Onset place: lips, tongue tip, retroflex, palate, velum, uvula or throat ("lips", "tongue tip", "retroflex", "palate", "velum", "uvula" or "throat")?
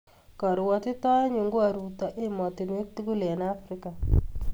velum